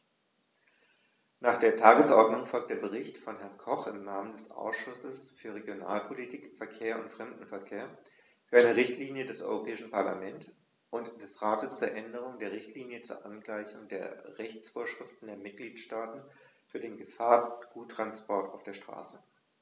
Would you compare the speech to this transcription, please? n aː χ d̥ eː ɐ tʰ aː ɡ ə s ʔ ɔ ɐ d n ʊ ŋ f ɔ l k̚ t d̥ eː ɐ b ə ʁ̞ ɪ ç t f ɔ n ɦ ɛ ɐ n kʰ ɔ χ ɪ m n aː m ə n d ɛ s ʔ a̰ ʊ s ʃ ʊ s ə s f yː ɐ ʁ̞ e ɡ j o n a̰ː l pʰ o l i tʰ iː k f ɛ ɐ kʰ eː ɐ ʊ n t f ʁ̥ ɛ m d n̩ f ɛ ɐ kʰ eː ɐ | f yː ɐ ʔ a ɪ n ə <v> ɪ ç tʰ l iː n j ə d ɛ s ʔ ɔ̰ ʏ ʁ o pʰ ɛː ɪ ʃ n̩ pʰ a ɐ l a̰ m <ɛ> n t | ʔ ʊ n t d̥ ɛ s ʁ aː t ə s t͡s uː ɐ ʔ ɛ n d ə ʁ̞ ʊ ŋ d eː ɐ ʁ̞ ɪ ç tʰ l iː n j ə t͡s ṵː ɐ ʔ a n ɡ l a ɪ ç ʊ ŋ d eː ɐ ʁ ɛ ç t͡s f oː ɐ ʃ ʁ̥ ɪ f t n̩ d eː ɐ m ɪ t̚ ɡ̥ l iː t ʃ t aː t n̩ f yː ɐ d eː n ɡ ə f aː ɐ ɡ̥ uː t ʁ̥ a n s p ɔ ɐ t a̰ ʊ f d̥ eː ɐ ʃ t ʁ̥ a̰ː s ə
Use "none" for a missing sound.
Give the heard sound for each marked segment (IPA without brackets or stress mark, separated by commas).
ʁ, ɛ